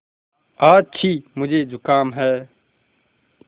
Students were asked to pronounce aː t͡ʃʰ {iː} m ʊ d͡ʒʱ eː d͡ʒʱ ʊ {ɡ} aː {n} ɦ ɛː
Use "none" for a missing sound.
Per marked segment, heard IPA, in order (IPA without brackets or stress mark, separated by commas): iː, k, m